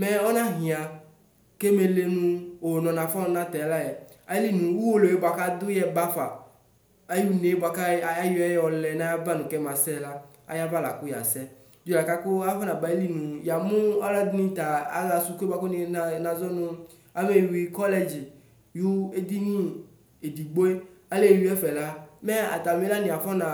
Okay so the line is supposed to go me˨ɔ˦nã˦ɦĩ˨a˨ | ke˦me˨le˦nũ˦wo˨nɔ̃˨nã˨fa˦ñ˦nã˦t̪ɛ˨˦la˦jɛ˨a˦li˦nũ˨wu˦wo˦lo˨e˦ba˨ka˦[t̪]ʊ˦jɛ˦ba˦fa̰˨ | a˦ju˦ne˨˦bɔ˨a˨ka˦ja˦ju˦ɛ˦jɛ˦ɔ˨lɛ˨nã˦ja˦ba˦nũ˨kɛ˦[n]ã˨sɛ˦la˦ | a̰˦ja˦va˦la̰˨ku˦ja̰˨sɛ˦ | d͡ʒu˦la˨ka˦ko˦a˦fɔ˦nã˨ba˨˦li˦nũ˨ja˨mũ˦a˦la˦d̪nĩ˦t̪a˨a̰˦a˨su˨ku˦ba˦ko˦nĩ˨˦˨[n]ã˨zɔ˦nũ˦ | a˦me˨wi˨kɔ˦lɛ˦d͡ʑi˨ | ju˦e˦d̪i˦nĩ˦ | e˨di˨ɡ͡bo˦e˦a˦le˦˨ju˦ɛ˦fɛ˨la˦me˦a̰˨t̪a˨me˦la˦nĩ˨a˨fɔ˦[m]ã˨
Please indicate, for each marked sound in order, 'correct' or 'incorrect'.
incorrect, incorrect, correct, incorrect

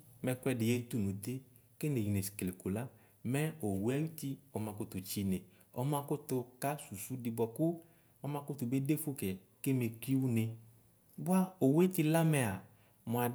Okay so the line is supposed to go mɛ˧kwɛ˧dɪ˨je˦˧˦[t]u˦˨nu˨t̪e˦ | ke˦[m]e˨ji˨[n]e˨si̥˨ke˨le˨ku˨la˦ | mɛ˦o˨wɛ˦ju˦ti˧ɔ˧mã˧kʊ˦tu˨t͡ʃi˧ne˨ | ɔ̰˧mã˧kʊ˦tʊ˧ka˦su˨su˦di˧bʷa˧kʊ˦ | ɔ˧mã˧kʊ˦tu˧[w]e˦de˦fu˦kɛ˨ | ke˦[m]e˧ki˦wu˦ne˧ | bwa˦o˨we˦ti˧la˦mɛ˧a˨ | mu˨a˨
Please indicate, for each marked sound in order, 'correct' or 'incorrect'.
correct, incorrect, correct, incorrect, correct

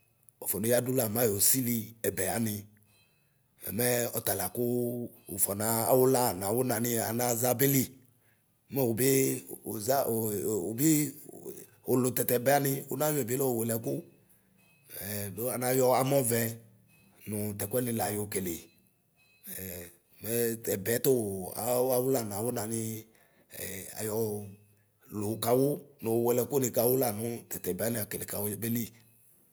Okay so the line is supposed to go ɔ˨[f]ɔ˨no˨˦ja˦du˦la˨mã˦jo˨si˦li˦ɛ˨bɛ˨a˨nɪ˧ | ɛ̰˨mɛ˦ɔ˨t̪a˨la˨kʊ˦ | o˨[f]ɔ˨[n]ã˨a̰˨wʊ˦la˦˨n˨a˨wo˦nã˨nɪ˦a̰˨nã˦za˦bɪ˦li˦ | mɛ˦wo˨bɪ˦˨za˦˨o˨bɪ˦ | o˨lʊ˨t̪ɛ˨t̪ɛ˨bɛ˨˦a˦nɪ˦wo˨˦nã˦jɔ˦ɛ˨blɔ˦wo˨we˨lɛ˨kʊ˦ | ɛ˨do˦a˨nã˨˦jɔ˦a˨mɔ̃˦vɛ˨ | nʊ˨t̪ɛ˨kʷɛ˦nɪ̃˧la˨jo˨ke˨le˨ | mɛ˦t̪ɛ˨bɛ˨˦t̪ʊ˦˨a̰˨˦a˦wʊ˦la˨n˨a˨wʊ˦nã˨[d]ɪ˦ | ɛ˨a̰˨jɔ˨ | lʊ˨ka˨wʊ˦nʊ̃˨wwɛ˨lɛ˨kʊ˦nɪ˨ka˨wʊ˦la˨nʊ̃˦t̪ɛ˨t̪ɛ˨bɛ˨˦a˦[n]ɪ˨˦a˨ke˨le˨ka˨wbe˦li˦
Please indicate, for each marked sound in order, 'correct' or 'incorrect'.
correct, correct, correct, incorrect, correct

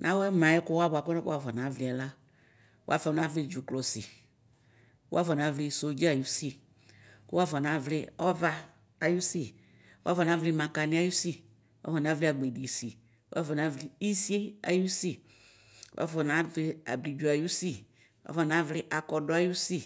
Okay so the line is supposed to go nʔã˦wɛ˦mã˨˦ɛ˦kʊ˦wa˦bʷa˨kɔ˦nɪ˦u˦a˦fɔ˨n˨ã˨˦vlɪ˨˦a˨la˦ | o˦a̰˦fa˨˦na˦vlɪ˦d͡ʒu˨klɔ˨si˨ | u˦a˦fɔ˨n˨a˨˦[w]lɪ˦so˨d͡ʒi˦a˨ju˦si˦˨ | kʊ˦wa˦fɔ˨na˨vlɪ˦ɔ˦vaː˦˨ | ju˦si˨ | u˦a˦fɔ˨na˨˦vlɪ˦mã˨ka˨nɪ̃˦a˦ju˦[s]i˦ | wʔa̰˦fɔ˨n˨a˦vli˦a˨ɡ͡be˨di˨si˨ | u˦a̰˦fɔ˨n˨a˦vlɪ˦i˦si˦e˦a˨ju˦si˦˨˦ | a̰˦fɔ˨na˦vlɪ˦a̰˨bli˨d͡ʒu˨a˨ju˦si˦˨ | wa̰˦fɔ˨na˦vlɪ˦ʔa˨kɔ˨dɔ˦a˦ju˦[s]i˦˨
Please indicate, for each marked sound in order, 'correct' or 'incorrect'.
incorrect, correct, correct

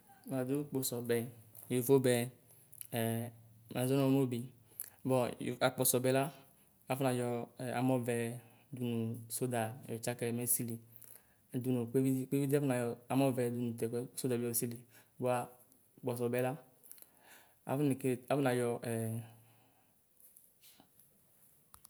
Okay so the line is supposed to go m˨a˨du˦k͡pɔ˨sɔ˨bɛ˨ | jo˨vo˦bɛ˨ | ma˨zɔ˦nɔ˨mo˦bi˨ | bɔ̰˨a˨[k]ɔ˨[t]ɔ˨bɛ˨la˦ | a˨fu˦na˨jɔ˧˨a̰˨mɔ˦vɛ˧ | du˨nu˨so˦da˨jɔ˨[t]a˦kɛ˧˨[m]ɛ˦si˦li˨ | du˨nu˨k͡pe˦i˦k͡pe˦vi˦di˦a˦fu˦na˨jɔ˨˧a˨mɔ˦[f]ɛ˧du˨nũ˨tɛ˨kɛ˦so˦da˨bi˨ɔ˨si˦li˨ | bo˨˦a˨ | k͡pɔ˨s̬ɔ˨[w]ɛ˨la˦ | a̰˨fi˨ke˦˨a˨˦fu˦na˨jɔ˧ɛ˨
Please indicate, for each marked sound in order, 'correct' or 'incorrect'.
incorrect, incorrect, incorrect, correct, incorrect, incorrect

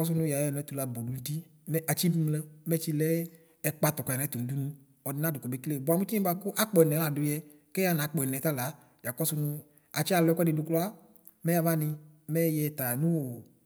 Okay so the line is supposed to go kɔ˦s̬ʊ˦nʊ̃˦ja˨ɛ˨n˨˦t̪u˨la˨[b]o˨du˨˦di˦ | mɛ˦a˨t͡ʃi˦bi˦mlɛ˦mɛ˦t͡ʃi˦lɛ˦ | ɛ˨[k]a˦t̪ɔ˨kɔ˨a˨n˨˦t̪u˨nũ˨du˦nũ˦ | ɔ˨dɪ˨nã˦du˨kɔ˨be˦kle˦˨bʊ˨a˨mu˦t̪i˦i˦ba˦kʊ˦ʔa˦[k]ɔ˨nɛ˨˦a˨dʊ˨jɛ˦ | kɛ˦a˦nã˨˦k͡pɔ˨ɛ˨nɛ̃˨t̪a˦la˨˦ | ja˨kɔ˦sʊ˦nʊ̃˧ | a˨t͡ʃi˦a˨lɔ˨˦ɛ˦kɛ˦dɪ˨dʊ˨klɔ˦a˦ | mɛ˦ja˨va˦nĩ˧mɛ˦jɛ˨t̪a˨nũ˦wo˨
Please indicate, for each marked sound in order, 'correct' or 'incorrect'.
correct, incorrect, incorrect

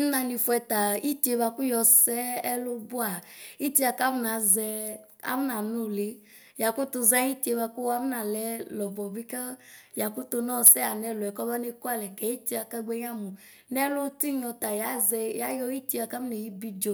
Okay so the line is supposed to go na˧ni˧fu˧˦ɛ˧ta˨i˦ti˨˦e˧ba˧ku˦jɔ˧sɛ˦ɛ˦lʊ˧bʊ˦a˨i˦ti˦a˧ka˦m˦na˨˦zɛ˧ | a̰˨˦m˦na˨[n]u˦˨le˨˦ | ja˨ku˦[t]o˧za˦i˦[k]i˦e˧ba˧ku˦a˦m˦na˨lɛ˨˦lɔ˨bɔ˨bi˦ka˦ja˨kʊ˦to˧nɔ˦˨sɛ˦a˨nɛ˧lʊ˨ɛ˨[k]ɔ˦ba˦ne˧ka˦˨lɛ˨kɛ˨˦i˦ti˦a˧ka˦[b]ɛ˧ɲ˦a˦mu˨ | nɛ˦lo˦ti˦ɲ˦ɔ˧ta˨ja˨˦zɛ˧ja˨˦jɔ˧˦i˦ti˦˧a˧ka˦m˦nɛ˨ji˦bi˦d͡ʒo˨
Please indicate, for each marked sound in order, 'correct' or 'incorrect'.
correct, correct, incorrect, correct, incorrect

